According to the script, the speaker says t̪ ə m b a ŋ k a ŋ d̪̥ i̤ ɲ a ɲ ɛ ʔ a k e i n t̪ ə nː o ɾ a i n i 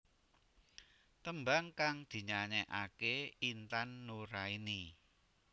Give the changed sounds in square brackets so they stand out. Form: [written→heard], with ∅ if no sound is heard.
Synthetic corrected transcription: t̪ ə m b a ŋ k a ŋ d̪̥ i̤ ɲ a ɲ ɛ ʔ a k e i n t̪ [ə→a] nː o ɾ a i n i

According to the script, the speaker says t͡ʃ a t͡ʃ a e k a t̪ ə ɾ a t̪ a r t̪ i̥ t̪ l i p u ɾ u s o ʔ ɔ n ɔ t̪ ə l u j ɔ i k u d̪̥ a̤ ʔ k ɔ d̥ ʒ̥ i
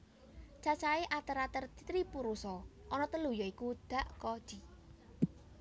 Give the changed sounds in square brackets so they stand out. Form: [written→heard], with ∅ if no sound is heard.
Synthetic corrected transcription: t͡ʃ a t͡ʃ a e [k→ʔ] a t̪ ə ɾ a t̪ [a→ə] r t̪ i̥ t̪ [l→ɾ] i p u ɾ u s [o→ɔ] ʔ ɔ n ɔ t̪ ə l u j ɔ i k u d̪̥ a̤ ʔ k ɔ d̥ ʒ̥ i

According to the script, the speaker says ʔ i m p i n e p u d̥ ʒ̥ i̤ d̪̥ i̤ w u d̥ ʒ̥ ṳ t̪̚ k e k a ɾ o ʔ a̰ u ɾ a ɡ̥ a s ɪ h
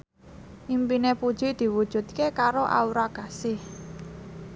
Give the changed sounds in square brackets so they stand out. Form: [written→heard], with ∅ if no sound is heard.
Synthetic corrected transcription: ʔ i m p i n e p u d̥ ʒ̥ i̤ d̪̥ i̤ w u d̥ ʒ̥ ṳ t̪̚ k e k a ɾ o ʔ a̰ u ɾ a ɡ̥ a s ɪ h

